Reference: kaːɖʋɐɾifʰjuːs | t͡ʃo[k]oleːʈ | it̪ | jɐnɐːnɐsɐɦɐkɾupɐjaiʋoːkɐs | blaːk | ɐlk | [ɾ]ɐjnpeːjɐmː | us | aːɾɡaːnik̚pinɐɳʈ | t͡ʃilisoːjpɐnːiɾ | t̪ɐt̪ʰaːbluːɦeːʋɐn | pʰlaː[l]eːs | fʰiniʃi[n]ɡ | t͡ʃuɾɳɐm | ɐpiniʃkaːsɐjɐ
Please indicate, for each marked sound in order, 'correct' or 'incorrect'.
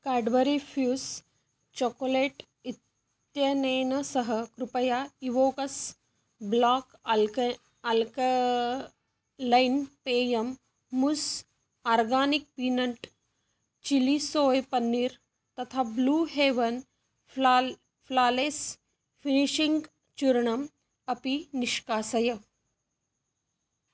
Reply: correct, incorrect, correct, incorrect

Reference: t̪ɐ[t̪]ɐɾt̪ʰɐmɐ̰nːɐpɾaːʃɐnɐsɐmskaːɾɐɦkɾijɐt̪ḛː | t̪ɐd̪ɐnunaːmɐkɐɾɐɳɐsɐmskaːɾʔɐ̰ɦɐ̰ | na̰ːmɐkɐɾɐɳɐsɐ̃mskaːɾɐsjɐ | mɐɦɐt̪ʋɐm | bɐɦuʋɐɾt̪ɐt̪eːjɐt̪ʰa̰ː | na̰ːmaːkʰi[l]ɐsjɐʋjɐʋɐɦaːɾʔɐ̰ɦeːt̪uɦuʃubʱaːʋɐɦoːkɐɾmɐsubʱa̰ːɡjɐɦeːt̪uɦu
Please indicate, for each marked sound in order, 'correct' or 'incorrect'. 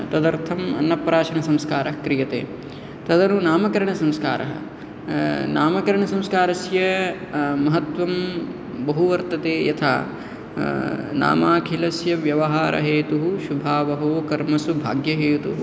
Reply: incorrect, correct

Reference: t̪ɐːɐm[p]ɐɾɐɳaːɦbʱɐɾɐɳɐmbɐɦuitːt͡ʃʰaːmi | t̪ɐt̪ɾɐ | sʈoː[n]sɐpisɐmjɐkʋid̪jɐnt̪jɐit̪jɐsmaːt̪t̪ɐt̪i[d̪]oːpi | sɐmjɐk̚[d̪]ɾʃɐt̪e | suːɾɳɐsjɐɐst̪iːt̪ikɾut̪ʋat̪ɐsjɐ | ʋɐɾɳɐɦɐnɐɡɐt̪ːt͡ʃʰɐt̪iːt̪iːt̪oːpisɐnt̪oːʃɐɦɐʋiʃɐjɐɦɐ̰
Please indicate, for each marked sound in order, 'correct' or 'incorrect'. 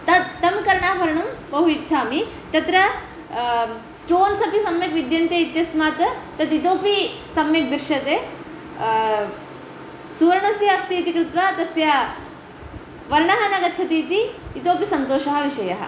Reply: incorrect, correct, incorrect, correct

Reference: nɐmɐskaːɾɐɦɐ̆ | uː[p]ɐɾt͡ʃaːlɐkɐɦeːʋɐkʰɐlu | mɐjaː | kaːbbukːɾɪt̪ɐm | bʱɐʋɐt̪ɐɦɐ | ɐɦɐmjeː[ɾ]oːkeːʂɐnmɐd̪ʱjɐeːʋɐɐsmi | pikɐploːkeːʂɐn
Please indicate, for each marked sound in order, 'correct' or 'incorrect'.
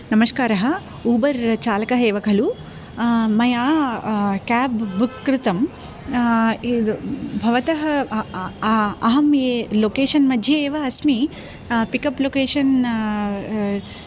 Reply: incorrect, incorrect

